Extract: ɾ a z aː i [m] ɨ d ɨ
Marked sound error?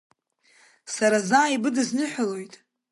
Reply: yes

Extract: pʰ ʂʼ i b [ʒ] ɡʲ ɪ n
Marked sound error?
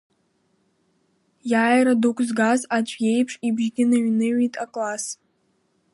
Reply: no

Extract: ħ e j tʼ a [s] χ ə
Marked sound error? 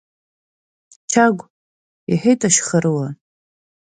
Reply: yes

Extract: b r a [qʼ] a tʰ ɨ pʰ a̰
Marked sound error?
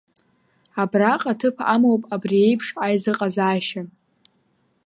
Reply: no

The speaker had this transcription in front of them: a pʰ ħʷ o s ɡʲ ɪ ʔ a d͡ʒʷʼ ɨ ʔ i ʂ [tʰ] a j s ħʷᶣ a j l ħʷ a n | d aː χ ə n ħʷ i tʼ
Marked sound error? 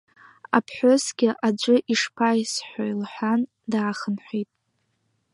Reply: yes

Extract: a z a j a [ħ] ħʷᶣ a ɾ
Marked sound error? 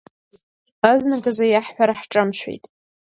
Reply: no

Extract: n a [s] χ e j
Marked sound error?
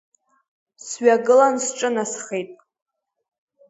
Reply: no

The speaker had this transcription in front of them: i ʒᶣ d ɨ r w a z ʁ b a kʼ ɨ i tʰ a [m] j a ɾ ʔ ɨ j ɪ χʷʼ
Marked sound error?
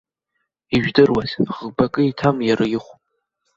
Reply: no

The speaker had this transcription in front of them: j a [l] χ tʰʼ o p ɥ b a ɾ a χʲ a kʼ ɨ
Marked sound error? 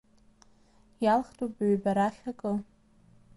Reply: no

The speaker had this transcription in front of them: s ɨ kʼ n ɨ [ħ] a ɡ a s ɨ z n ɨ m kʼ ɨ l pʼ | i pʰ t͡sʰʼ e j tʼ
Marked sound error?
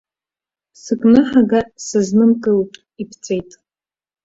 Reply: no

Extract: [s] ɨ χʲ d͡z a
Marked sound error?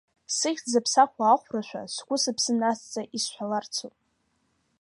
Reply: no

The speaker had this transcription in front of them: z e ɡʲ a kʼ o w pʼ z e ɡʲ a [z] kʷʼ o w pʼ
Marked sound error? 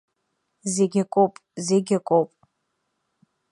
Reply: yes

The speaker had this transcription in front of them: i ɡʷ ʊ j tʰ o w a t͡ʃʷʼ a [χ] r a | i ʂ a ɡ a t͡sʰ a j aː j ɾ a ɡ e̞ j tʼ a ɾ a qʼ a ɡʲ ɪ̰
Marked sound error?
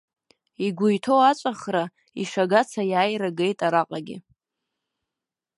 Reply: no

